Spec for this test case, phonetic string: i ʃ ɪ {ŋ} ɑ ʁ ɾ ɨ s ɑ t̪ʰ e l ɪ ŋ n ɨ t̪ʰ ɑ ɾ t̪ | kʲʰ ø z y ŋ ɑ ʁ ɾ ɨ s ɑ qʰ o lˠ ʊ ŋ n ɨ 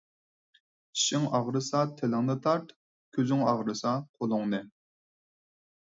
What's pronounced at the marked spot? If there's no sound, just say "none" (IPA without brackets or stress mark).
ŋ